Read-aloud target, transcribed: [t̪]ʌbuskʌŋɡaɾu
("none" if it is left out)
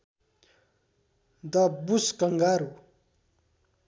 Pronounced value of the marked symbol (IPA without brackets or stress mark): d̪